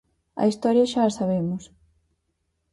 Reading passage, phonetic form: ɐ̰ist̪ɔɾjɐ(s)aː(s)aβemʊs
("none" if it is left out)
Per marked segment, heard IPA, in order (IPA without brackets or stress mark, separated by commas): ʃ, s